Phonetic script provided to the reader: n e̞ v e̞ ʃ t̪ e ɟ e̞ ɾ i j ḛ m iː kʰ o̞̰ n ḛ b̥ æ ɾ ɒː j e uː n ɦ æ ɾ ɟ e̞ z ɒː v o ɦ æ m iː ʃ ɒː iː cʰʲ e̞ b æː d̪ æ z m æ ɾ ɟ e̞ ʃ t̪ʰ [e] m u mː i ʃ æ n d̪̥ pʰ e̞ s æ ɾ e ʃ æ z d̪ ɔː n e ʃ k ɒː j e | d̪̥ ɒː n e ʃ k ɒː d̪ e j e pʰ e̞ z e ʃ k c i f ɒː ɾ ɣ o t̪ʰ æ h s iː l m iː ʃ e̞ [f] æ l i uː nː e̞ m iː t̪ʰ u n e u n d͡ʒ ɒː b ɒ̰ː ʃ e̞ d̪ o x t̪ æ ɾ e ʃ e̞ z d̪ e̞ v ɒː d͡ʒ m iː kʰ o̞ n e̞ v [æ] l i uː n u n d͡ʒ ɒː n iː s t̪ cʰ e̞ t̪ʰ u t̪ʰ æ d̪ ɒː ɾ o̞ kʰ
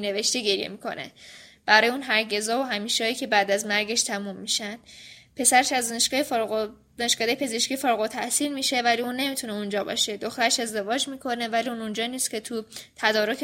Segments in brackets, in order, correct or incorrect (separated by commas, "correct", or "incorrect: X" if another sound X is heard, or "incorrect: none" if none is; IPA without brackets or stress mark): incorrect: æ, incorrect: v, correct